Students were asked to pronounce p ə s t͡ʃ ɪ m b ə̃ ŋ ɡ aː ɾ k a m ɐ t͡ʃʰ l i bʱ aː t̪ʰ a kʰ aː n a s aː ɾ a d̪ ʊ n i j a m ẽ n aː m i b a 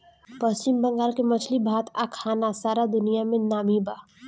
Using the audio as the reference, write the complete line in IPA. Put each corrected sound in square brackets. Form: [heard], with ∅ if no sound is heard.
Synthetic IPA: p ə s t͡ʃ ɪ m b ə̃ ŋ ɡ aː ɾ k [e] m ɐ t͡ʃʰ l i bʱ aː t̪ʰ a kʰ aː n a s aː ɾ a d̪ ʊ n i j a m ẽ n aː m i b a